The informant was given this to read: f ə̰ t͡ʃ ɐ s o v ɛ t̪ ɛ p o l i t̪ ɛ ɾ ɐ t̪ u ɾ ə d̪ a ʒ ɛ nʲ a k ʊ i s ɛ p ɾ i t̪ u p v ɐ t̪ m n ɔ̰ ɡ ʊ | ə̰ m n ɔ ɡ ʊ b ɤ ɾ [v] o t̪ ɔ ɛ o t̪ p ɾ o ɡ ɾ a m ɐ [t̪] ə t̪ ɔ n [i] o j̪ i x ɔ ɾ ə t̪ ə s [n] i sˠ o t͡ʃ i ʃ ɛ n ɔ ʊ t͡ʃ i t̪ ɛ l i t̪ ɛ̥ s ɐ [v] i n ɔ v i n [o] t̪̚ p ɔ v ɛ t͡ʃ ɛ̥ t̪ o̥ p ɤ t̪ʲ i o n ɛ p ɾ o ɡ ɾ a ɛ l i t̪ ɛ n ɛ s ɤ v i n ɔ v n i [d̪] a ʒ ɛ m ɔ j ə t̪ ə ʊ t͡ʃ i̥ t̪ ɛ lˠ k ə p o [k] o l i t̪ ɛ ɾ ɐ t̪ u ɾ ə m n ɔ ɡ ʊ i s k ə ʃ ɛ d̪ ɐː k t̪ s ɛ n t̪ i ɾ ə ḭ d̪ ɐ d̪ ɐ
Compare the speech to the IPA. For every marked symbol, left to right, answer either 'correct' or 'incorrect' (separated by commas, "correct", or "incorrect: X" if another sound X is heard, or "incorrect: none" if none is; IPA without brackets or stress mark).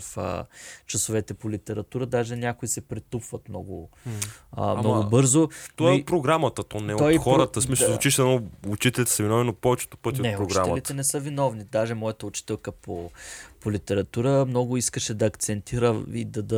incorrect: z, correct, incorrect: ɛ, incorrect: m, correct, correct, correct, incorrect: p